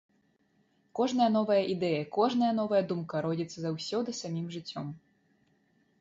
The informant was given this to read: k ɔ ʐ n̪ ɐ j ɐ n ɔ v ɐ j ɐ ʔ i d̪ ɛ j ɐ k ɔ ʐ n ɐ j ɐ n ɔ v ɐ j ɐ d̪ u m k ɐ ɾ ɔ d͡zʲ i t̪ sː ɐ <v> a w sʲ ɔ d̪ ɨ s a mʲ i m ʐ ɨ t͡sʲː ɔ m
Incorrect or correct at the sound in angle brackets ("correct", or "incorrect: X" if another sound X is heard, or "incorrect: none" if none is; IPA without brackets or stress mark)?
incorrect: z